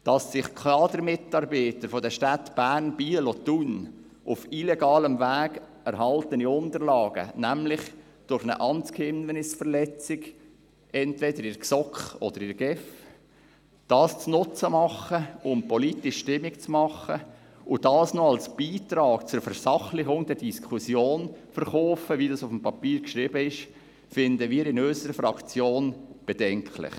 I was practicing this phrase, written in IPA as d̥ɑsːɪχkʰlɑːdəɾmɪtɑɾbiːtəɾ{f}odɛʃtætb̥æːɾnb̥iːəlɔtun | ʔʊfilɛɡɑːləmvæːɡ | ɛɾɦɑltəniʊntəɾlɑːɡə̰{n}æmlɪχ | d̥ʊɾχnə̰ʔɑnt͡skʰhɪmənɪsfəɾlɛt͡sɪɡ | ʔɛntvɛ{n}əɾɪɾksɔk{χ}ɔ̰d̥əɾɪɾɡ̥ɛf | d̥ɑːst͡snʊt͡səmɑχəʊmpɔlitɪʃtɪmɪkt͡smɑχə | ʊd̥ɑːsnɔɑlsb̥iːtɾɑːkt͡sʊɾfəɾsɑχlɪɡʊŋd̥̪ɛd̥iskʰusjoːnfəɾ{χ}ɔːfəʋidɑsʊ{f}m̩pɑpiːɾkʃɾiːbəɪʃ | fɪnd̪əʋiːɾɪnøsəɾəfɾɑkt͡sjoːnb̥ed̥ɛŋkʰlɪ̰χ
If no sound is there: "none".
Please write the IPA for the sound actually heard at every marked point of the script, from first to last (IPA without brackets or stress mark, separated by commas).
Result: f, n, d, χ, χ, f